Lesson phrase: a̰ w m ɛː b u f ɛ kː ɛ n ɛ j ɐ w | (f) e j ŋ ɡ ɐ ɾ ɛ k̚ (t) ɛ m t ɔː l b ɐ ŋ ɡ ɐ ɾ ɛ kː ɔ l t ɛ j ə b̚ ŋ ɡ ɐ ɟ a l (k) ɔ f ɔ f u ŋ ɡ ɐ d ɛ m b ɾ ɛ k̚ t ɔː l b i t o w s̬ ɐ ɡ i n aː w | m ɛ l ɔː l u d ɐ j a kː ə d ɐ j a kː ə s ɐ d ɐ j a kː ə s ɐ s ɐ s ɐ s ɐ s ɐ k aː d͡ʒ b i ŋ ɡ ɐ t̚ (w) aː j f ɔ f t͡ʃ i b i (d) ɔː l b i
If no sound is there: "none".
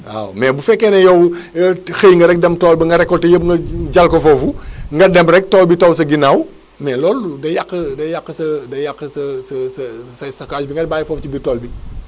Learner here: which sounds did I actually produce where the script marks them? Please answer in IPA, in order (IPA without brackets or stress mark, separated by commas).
x, d, k, b, t